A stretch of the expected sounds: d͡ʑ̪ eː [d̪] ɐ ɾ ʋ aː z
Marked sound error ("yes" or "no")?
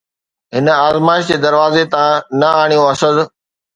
no